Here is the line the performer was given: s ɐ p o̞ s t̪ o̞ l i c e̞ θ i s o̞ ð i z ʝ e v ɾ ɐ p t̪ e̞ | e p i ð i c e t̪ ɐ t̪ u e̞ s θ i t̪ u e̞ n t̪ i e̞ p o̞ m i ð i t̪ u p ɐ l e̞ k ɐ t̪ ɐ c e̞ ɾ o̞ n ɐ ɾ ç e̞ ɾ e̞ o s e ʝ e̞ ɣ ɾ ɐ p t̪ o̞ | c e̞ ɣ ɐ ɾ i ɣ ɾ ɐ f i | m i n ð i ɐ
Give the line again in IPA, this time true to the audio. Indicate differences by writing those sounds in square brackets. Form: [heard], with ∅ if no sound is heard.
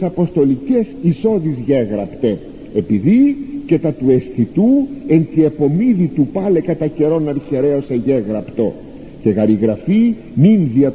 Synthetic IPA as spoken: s ɐ p o̞ s t̪ o̞ l i c e̞ [s] i s o̞ ð i z ʝ e [ɣ] ɾ ɐ p t̪ e̞ | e p i ð i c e t̪ ɐ t̪ u e̞ s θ i t̪ u e̞ n t̪ i e̞ p o̞ m i ð i t̪ u p ɐ l e̞ k ɐ t̪ ɐ c e̞ ɾ o̞ n ɐ ɾ ç e̞ ɾ e̞ o s e ʝ e̞ ɣ ɾ ɐ p t̪ o̞ | c e̞ ɣ ɐ ɾ i ɣ ɾ ɐ f i | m i n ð i ɐ